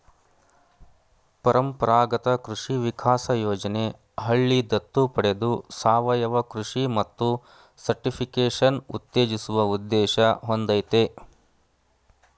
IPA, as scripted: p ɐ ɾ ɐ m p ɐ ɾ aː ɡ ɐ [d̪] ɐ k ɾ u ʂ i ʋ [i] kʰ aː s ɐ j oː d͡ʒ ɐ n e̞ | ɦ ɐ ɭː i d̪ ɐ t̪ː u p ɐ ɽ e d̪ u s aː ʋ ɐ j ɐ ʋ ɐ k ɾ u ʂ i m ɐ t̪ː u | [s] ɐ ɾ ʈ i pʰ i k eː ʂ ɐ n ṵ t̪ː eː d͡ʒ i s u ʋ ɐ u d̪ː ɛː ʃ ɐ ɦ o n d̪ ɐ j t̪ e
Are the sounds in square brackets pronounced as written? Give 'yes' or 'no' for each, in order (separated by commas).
no, yes, yes